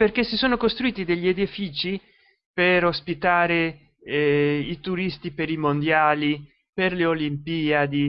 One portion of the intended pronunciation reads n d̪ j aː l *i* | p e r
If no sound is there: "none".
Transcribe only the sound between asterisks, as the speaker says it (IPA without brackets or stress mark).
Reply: i